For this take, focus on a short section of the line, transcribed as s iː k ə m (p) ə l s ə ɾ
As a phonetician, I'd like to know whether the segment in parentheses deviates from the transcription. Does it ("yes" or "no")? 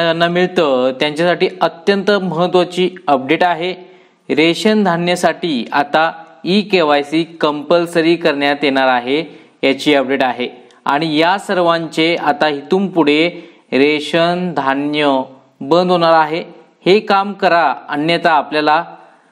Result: no